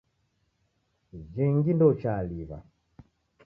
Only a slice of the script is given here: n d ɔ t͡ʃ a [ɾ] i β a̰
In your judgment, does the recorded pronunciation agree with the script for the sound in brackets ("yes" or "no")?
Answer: no